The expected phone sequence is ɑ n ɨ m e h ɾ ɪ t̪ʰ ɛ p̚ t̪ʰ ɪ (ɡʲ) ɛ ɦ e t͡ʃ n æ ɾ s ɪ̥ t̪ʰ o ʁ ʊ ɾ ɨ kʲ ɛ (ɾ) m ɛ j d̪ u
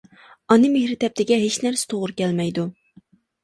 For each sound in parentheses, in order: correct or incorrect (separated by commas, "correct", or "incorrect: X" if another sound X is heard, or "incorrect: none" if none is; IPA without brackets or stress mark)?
correct, incorrect: l